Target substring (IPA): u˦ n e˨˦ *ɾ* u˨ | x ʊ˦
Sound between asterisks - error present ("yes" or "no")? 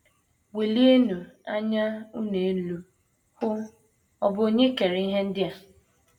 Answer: yes